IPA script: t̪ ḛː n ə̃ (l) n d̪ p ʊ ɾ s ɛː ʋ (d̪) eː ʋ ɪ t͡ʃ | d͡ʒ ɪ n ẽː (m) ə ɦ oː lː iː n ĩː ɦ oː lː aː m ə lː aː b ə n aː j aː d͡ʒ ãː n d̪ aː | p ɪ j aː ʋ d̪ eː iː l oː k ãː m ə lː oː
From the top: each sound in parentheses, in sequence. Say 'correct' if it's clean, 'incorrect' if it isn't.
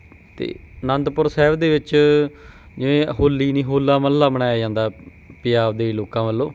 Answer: incorrect, correct, incorrect

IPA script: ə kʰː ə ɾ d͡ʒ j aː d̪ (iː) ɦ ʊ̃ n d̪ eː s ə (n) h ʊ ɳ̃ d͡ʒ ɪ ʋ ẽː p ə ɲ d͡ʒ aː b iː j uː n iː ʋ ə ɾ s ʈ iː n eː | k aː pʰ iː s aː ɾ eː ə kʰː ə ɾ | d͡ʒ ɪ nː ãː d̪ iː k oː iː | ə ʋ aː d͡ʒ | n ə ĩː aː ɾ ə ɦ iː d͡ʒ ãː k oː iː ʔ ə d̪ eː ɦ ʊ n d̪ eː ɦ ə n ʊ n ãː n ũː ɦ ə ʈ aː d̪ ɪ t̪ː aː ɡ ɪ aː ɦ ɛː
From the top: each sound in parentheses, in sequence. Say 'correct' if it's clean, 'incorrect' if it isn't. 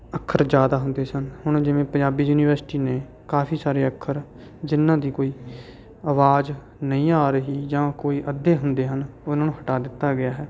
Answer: incorrect, correct

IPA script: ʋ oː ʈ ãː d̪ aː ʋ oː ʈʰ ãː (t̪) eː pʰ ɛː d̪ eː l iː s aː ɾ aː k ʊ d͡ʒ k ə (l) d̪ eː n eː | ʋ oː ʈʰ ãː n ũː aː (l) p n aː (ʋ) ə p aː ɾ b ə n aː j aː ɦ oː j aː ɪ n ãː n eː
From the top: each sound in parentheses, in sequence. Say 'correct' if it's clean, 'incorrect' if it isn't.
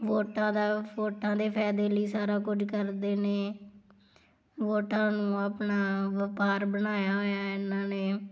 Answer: incorrect, incorrect, incorrect, correct

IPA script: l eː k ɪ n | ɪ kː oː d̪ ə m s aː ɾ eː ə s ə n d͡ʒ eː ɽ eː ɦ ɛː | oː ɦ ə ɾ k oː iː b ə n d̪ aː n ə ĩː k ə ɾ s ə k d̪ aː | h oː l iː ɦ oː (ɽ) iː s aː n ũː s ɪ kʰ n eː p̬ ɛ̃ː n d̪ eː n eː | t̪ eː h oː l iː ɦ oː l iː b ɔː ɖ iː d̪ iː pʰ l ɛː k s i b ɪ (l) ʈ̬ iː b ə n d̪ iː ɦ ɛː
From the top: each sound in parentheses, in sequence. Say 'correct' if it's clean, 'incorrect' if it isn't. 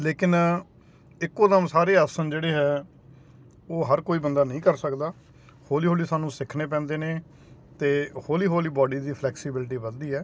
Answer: incorrect, correct

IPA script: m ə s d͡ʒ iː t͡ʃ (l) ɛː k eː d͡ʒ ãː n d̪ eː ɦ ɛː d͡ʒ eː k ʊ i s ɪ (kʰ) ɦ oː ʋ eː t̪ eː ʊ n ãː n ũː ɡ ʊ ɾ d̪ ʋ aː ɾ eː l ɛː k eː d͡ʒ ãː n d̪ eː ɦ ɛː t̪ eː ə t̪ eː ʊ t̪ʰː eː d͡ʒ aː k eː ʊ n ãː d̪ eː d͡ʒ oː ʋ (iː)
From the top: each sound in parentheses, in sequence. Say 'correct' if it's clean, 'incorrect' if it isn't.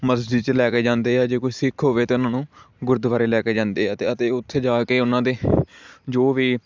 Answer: correct, correct, correct

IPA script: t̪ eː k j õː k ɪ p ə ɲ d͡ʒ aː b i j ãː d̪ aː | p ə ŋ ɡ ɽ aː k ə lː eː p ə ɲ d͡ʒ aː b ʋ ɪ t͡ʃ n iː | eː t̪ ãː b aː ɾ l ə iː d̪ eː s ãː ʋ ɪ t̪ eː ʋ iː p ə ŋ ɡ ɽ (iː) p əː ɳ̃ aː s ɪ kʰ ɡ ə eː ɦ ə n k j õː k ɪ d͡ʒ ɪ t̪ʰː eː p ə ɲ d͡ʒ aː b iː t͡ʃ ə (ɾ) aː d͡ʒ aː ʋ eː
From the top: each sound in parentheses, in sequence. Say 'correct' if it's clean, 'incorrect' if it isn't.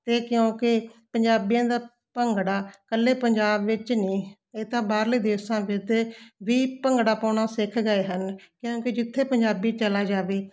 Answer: incorrect, incorrect

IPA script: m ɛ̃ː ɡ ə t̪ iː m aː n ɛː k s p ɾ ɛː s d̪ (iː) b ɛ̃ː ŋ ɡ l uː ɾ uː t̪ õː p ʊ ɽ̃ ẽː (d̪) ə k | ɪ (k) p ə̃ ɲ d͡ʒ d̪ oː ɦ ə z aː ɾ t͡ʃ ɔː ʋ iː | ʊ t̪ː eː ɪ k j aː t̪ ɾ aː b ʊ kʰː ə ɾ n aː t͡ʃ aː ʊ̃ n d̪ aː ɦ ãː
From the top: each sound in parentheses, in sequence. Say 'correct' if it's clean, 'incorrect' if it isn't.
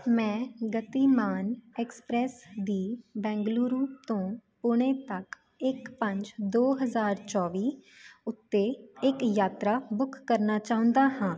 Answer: correct, incorrect, correct

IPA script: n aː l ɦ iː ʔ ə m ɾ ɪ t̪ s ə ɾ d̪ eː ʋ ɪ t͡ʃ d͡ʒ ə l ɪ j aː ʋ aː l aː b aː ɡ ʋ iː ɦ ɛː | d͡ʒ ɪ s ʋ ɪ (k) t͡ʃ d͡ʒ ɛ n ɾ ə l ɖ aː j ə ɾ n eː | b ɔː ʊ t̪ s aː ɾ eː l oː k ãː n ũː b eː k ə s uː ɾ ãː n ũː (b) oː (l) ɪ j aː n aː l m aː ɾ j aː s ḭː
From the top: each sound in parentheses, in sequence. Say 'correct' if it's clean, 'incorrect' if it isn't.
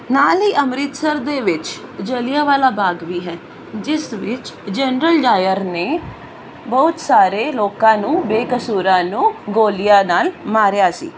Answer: incorrect, incorrect, correct

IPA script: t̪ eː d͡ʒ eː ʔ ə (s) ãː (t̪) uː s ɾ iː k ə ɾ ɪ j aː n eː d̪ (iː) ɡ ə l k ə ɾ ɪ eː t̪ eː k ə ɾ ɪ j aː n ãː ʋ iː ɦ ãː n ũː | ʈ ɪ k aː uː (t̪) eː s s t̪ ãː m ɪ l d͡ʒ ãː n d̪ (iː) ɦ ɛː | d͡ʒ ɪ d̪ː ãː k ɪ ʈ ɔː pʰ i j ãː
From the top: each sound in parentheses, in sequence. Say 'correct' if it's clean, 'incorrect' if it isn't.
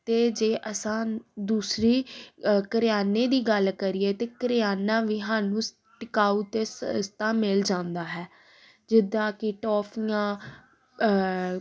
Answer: correct, incorrect, correct, correct, incorrect

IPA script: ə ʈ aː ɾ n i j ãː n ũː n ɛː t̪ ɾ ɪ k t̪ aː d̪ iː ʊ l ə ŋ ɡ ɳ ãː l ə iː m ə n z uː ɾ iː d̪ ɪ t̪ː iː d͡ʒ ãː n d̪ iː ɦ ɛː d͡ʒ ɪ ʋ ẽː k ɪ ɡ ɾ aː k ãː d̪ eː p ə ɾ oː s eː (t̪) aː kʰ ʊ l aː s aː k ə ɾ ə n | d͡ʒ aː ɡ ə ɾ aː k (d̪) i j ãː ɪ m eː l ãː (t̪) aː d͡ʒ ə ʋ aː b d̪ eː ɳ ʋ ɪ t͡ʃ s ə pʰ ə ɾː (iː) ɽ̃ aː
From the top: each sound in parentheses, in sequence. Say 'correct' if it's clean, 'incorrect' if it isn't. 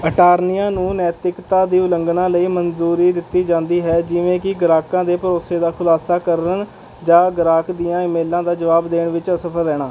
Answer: incorrect, correct, incorrect, incorrect

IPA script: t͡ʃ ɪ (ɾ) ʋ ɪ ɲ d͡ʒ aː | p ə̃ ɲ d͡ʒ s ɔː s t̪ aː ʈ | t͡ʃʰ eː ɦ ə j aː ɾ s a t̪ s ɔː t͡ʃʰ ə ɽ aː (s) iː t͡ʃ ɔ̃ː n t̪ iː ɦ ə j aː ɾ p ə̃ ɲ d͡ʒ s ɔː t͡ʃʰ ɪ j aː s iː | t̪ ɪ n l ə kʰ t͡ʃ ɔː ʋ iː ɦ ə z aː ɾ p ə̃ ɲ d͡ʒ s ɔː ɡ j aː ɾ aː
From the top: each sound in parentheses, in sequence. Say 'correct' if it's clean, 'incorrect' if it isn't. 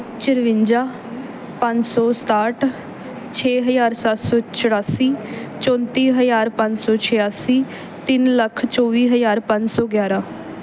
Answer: correct, correct

